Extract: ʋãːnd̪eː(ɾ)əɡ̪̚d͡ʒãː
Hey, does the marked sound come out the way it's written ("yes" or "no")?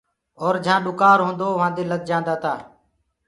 no